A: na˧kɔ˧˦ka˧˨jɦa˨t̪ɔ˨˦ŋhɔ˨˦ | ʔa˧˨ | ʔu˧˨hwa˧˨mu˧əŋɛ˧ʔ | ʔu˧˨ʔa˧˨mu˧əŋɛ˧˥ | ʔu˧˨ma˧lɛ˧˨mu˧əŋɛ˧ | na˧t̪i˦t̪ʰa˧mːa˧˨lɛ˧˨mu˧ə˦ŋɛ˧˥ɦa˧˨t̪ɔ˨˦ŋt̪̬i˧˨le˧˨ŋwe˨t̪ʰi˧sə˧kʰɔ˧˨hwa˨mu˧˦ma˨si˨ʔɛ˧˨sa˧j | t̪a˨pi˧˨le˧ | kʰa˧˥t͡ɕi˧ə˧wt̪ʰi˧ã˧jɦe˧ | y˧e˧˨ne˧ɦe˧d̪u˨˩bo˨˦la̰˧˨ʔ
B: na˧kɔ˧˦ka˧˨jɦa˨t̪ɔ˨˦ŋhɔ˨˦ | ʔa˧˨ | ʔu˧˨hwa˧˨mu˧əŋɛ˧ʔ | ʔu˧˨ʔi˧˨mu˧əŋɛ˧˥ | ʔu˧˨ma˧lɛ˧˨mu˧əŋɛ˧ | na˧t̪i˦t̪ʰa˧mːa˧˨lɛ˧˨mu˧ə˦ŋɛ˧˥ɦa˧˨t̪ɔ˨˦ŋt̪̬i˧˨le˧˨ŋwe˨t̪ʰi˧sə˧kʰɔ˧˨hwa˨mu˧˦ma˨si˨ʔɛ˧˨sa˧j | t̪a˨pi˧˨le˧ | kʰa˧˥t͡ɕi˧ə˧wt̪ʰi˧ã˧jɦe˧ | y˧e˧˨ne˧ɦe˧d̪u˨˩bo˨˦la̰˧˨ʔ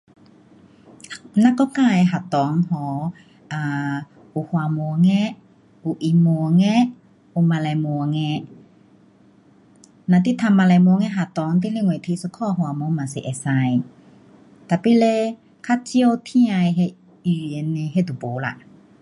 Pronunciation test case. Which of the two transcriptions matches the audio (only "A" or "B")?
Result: B